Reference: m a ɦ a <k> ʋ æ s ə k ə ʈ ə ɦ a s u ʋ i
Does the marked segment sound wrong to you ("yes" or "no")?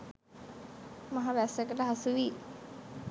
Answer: yes